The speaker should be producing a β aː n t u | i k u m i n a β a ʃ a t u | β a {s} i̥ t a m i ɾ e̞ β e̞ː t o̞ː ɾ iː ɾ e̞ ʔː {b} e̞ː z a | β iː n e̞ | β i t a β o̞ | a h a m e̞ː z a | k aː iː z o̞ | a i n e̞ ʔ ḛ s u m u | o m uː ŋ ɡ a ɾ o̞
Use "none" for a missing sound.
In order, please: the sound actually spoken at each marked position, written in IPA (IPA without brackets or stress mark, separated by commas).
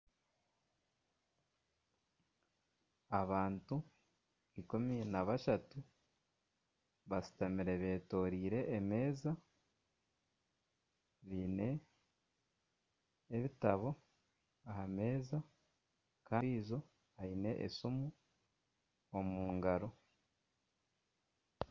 s, m